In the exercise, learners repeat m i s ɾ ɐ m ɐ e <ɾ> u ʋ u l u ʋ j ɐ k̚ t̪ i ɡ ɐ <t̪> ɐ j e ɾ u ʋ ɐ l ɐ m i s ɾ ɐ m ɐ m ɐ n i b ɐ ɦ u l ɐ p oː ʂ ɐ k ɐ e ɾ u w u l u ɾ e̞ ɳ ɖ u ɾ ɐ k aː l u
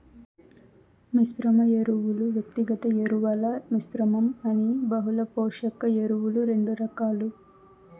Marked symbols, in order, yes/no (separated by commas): yes, yes